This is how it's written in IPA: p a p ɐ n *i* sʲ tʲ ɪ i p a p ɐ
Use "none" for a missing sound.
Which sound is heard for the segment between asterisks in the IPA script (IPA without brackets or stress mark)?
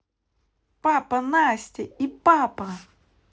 a